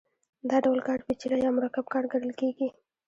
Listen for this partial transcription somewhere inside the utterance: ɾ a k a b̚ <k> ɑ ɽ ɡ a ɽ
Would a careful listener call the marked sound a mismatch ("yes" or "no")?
no